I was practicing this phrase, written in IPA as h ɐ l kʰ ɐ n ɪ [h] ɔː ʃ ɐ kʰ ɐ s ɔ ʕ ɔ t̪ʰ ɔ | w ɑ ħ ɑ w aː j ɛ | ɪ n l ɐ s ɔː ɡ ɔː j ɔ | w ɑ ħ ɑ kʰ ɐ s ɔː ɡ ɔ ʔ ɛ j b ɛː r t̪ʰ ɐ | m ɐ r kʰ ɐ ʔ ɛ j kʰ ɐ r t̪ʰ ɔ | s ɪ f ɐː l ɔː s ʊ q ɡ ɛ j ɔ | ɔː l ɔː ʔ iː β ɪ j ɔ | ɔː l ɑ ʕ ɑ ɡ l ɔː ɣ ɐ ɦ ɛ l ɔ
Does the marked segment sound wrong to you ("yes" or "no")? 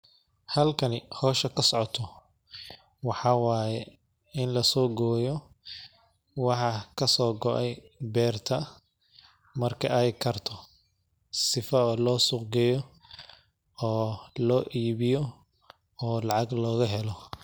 no